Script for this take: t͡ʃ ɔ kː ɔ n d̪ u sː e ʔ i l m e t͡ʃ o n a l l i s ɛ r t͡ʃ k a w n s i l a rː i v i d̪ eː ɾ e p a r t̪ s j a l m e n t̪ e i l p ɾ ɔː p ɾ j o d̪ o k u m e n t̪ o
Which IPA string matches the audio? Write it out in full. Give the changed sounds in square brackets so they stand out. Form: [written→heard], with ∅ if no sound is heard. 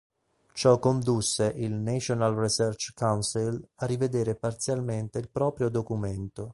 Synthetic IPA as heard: t͡ʃ ɔ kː [ɔ→o] n d̪ u sː e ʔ i l [m→n] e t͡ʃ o n a l [l→r] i s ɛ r t͡ʃ k a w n s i l a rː i v [i→e] d̪ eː ɾ e p a r t̪ s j a l m e n t̪ e i l p ɾ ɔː p ɾ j o d̪ o k u m e n t̪ o

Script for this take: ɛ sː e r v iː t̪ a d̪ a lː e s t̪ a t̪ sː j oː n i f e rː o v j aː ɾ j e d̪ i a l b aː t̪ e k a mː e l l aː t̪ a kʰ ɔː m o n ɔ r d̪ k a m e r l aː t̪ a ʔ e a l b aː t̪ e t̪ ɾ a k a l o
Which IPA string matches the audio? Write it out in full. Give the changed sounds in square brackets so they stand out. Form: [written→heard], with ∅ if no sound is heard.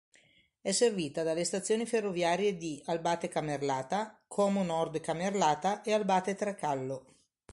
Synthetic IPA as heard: ɛ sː e r v iː t̪ a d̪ a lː e s t̪ a t̪ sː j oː n i f e rː o v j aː ɾ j e d̪ i a l b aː t̪ e k a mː e [l→r] l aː t̪ a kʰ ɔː m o n ɔ r d̪ k a m e r l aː t̪ a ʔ e a l b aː t̪ e t̪ ɾ a k a [l→lː] o

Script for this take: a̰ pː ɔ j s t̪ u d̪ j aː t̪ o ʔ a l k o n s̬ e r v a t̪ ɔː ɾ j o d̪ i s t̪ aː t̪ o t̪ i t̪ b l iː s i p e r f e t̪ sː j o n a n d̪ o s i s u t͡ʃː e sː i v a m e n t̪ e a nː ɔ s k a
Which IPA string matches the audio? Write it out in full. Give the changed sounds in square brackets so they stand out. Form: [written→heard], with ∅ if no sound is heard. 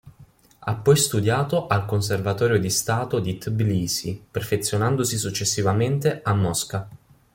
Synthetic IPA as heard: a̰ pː ɔ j s t̪ u d̪ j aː t̪ o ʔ a l k o n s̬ e r v a t̪ ɔː ɾ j o d̪ i s t̪ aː t̪ o [t̪→d̪] i t̪ b l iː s i p e r f e t̪ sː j o n a n d̪ o s i s u t͡ʃː e sː i v a m e n t̪ e a [nː→mː] ɔ s k a

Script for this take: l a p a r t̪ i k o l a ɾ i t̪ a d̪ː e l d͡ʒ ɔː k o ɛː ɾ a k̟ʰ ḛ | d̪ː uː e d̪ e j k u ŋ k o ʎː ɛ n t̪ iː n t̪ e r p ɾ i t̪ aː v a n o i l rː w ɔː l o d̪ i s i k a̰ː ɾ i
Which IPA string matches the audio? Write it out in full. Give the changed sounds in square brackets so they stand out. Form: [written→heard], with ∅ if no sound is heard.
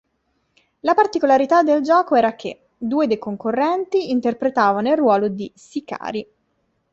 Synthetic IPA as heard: l a p a r t̪ i k o l a ɾ i t̪ a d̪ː e l d͡ʒ ɔː k o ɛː ɾ a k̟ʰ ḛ | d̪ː uː e d̪ e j k [u→o] ŋ k o [ʎː→rː] ɛ n t̪ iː n t̪ e r p ɾ [i→e] t̪ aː v a n o i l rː w ɔː l o d̪ i s i k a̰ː ɾ i

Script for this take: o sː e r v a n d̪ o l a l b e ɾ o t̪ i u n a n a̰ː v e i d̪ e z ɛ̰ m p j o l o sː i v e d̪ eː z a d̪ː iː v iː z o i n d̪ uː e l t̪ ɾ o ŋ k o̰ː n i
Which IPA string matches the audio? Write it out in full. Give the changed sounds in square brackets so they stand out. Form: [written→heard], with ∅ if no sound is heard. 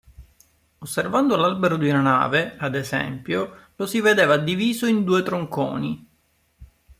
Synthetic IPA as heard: o sː e r v a n d̪ o l a l b e ɾ o [t̪→d̪] i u n a n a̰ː v e [i→a] d̪ e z ɛ̰ m p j o l o [sː→s] i v e d̪ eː [z→v] a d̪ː [iː→i] v iː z o i n d̪ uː e [l→∅] t̪ ɾ o ŋ k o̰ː n i

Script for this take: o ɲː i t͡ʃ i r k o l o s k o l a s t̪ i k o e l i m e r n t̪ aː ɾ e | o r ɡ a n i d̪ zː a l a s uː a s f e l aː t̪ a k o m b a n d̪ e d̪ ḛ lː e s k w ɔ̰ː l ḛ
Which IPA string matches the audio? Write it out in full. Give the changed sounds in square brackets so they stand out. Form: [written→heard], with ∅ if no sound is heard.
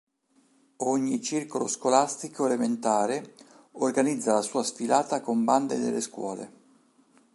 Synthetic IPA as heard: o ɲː i t͡ʃ i r k o l o s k o l a s t̪ i k o e l [i→e] m e [r→∅] n t̪ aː ɾ e | o r ɡ a n i d̪ zː a l a s uː a s f [e→i] l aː t̪ a k o m b a n d̪ e d̪ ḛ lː e s k w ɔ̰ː l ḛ

